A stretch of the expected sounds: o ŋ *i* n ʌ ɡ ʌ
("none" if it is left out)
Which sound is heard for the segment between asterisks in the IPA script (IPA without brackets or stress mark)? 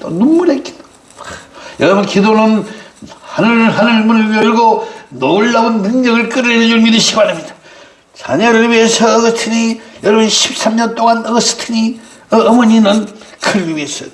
a